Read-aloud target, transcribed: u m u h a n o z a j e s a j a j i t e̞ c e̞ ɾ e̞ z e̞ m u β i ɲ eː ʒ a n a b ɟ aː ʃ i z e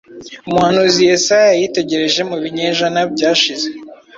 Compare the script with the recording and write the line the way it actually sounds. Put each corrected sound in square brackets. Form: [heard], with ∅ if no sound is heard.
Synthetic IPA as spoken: u m u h a n [u] z [i] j e s a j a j i t e̞ [ɟ] e̞ ɾ e̞ [ʒ] e̞ m u β i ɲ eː ʒ a n a b ɟ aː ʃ i z e